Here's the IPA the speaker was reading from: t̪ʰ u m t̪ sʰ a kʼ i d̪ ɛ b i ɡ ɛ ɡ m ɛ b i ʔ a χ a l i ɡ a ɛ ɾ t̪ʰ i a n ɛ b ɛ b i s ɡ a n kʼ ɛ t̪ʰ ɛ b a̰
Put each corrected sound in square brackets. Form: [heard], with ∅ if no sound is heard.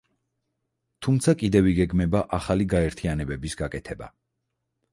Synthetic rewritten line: t̪ʰ u m t̪ sʰ a kʼ i d̪ ɛ [v] i ɡ ɛ ɡ m ɛ b [a] ʔ a χ a l i ɡ a ɛ ɾ t̪ʰ i a n ɛ b ɛ b i s ɡ a [∅] kʼ ɛ t̪ʰ ɛ b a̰